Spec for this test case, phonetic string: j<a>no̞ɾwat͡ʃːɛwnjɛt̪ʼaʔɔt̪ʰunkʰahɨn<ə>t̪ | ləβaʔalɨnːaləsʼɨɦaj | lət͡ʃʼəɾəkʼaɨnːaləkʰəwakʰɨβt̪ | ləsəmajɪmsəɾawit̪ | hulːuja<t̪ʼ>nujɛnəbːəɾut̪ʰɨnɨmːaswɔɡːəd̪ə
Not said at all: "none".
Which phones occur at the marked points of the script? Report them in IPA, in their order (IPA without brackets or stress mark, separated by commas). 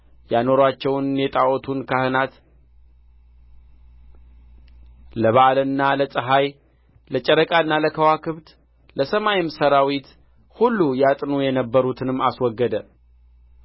a, a, t̪ʼ